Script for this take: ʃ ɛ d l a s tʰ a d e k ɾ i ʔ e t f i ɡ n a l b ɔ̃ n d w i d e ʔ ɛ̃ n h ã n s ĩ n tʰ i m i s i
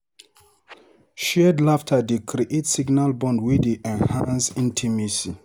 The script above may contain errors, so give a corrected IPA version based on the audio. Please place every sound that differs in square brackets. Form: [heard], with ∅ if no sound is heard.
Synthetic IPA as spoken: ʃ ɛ d l a [f] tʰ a d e k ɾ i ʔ e t [s] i ɡ n a l b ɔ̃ n d w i d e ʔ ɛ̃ n h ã n s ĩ n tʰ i m i s i